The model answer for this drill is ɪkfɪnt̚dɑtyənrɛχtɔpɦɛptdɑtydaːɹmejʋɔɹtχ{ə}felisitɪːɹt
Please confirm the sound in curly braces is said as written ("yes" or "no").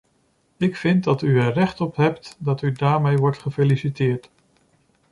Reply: yes